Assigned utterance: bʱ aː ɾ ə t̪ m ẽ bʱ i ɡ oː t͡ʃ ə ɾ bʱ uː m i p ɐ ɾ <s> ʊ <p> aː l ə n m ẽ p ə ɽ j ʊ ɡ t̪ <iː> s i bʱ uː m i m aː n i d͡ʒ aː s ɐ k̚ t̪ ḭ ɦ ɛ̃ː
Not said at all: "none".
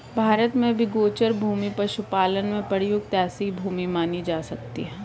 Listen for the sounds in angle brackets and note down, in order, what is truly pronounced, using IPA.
ʃ, p, ɛː

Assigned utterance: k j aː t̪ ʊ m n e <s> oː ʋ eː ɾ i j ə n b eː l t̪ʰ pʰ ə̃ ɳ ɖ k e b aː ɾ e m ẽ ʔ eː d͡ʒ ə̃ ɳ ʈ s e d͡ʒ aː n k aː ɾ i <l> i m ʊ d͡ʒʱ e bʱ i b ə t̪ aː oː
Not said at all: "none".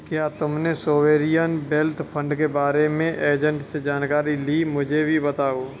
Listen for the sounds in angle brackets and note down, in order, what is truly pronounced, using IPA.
s, l

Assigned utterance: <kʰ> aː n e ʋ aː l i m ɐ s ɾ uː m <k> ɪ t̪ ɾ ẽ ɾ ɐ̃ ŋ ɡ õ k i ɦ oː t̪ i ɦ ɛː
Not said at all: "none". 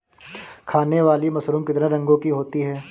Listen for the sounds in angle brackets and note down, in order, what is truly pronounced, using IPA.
kʰ, k

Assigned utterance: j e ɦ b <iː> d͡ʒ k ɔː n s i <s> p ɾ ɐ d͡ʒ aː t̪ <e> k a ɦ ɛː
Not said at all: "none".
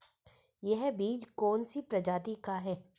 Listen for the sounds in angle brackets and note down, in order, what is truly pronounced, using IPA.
iː, none, i

